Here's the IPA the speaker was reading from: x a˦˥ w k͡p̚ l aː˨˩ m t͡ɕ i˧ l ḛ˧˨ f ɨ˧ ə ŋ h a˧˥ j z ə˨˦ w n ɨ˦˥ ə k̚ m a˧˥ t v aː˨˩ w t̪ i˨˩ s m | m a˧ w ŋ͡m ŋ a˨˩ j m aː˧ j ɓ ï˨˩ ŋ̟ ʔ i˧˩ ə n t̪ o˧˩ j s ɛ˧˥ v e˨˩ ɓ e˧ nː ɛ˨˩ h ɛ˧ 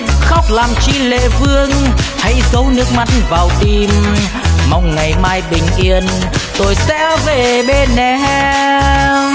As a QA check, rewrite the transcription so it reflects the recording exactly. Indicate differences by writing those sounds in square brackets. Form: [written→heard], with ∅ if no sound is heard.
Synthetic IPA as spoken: x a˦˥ w k͡p̚ l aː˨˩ m t͡ɕ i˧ l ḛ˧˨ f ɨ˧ ə ŋ h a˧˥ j z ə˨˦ w n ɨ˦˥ ə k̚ m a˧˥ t v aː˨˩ w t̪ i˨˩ [s→∅] m | m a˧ w ŋ͡m ŋ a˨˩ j m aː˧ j ɓ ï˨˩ ŋ̟ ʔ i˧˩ ə n t̪ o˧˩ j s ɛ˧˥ v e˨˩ ɓ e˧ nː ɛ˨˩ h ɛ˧

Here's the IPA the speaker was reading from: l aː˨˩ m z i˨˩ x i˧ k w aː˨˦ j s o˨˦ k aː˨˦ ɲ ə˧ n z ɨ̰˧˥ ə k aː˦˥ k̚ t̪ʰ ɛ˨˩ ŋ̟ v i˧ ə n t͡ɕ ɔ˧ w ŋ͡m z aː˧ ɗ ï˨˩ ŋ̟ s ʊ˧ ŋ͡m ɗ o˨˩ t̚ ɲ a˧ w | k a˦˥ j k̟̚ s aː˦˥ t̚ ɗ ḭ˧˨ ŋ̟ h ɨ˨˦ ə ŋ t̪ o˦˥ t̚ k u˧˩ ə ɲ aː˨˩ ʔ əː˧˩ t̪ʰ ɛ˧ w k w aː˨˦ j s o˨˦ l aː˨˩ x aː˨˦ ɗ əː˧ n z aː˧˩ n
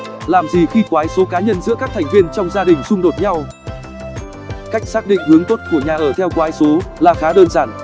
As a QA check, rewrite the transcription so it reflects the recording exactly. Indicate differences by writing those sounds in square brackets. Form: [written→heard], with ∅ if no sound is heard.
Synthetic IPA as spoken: l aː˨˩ m z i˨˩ x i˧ k w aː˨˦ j s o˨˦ k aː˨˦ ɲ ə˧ n z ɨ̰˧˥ ə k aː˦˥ k̚ t̪ʰ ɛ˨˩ ŋ̟ v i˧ ə n t͡ɕ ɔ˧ w ŋ͡m z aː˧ ɗ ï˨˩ ŋ̟ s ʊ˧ ŋ͡m ɗ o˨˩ t̚ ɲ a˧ w | k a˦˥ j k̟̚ s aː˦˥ [t̚→k̚] ɗ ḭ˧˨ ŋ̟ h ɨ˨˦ ə ŋ t̪ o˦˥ t̚ k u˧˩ ə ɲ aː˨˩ ʔ əː˧˩ t̪ʰ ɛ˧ w k w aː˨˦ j s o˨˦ l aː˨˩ x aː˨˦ ɗ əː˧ n z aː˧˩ n

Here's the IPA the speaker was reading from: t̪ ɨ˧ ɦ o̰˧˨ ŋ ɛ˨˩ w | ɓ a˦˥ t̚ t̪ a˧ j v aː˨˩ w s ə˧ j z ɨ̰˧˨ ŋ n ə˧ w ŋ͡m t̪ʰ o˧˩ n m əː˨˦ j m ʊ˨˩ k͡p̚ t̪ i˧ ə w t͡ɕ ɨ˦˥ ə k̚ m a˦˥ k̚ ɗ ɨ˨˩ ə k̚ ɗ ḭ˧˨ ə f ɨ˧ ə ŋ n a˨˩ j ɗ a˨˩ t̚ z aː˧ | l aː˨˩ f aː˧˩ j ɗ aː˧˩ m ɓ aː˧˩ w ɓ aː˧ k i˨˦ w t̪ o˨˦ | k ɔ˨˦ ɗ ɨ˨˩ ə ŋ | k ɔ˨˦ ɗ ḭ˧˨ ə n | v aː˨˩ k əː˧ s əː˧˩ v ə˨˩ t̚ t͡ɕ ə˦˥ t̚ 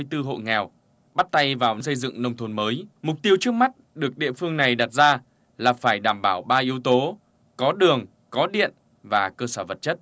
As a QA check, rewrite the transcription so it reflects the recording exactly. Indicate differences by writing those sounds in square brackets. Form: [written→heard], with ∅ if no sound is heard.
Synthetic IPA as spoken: t̪ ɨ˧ ɦ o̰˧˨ ŋ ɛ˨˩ w | ɓ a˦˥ t̚ t̪ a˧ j v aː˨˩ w s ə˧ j z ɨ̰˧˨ ŋ n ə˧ w ŋ͡m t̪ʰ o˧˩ n m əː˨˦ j m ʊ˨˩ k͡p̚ t̪ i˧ ə w t͡ɕ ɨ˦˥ ə k̚ m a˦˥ [k̚→t̚] ɗ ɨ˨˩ ə k̚ ɗ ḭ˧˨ ə f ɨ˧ ə ŋ n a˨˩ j ɗ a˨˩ t̚ z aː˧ | l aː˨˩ f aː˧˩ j ɗ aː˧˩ m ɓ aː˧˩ w ɓ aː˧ [k→ʔ] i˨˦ w t̪ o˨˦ | k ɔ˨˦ ɗ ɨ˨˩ ə ŋ | k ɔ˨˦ ɗ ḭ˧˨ ə n | v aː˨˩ k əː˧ s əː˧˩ v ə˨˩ t̚ t͡ɕ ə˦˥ t̚

